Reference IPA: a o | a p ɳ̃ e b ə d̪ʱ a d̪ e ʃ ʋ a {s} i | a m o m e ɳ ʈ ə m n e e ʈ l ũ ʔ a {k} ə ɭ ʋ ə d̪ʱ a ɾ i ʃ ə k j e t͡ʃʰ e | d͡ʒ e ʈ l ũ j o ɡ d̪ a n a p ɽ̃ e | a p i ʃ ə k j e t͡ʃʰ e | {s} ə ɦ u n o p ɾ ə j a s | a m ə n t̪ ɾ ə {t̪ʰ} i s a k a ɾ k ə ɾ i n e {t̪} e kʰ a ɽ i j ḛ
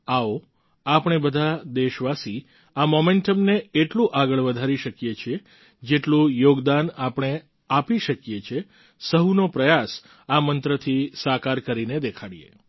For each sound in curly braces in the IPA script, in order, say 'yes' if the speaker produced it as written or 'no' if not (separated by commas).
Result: yes, no, yes, yes, no